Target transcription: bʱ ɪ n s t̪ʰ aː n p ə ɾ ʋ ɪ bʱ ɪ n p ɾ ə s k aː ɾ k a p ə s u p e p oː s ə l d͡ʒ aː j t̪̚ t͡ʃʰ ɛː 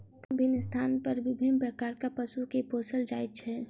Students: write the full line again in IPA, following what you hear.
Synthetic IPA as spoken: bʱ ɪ n s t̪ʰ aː n p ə ɾ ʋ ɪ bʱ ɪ n p ɾ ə k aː ɾ k a p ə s u k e p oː s ə l d͡ʒ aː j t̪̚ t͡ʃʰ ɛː

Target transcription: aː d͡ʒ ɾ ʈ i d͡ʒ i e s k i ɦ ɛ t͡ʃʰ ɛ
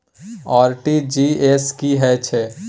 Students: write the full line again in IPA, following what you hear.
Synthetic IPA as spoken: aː ɾ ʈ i d͡ʒ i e s k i ɦ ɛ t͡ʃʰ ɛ

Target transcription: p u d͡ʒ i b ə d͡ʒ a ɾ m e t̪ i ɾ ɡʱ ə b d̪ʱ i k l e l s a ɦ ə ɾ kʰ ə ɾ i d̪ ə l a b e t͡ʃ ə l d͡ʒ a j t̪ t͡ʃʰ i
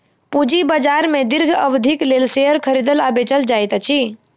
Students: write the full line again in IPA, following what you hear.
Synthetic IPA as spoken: p u d͡ʒ i b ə d͡ʒ a ɾ m e d̪ i ɾ ɡʱ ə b d̪ʱ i k l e l s e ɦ ə ɾ kʰ ə ɾ i d̪ ə l a b e t͡ʃ ə l d͡ʒ a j t̪ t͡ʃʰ i

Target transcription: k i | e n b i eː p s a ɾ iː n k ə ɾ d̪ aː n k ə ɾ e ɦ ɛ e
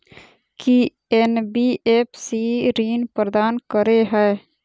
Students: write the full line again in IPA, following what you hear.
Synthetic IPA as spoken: k i | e n b i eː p s i ɾ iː n p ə ɾ d̪ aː n k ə ɾ e ɦ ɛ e

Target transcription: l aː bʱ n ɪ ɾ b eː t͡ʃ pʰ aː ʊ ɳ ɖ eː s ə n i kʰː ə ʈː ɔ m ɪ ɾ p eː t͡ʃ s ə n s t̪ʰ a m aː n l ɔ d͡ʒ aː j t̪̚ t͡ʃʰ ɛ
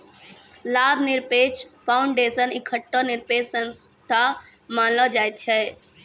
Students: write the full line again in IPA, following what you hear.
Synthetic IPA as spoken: l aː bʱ n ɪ ɾ p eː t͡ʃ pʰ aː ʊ ɳ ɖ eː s ə n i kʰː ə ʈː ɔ n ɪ ɾ p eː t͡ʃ s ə n s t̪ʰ a m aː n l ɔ d͡ʒ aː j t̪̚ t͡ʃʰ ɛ

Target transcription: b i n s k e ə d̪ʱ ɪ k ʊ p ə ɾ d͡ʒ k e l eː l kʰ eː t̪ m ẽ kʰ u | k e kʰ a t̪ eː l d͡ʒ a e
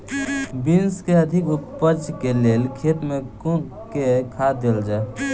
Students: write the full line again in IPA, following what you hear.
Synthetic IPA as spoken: b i n s k e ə d̪ʱ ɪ k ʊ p ə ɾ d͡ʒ k e l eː l kʰ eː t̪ m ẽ k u | k e kʰ a d̪ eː l d͡ʒ a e

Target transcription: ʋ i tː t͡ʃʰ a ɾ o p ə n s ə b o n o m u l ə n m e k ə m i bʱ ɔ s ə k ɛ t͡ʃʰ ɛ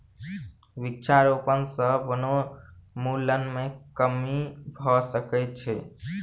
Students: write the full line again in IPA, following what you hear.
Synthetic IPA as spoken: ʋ i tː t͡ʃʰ a ɾ o p ə n s ə b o n o m u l ə n m e k ə m i bʱ ɔ s ə k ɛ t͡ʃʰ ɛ

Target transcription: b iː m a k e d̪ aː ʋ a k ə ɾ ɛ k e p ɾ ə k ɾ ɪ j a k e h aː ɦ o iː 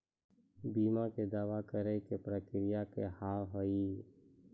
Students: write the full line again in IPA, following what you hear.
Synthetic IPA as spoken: b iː m a k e d̪ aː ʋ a k ə ɾ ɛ k e p ɾ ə k ɾ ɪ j a k e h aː ɦ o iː

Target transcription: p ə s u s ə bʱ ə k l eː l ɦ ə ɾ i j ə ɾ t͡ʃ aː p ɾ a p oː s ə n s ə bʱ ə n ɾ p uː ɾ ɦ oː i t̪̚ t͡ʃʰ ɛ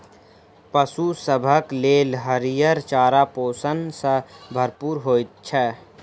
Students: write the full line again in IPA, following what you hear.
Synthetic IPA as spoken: p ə s u s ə bʱ ə k l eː l ɦ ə ɾ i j ə ɾ t͡ʃ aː ɾ a p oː s ə n s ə bʱ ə ɾ p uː ɾ ɦ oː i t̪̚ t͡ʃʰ ɛ

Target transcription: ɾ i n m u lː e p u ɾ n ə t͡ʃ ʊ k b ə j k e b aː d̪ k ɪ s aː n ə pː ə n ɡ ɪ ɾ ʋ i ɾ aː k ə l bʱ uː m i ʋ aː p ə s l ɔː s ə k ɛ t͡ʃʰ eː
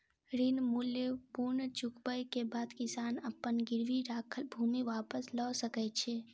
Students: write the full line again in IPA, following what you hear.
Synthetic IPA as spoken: ɾ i n m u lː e p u ɾ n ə t͡ʃ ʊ k b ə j k e b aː d̪ k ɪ s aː n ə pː ə n ɡ ɪ ɾ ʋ i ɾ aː kʰ ə l bʱ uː m i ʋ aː p ə s l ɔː s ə k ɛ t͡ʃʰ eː

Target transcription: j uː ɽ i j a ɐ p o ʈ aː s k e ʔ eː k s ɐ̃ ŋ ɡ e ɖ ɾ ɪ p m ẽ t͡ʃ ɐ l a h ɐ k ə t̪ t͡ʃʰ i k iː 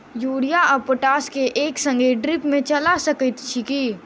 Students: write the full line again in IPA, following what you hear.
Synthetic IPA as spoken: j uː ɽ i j a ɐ p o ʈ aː s k e ʔ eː k s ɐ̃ ŋ ɡ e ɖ ɾ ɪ p m ẽ t͡ʃ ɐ l a s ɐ k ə t̪ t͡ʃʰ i k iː

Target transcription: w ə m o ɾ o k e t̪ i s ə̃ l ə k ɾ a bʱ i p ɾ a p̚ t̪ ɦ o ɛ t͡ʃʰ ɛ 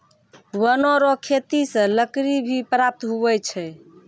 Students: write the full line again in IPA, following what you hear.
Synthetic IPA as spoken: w ə n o ɾ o kʰ e t̪ i s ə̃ l ə k ɾ i bʱ i p ɾ a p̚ t̪ ɦ u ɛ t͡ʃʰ ɛ

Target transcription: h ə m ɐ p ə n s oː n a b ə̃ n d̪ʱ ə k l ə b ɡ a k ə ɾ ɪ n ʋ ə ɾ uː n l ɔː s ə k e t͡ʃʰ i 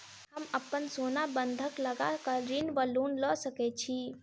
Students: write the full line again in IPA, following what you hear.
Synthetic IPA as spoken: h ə m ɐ p ə n s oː n a b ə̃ n d̪ʱ ə k l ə ɡ a k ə ɾ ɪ n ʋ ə l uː n l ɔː s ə k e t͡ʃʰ i

